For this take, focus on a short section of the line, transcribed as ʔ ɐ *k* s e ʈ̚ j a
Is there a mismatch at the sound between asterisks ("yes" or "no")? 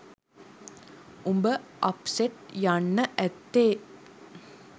yes